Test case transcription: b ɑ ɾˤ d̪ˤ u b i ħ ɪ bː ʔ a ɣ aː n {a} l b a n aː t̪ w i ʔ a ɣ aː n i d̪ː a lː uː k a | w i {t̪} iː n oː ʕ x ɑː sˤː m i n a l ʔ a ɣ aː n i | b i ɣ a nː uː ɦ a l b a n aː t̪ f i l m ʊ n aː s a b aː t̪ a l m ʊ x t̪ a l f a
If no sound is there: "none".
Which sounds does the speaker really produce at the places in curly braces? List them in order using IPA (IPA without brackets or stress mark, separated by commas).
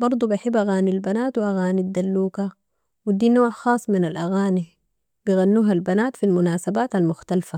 i, d̪